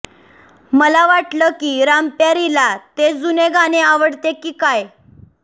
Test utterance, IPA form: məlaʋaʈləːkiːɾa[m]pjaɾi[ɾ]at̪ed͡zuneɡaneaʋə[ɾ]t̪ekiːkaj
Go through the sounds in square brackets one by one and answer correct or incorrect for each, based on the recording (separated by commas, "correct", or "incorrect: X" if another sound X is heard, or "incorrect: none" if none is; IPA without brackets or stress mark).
correct, incorrect: l, incorrect: ɽ